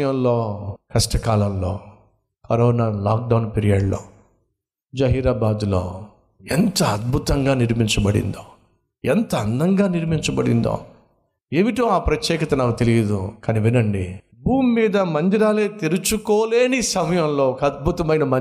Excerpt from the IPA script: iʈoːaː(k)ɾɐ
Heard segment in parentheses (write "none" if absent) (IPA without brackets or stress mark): p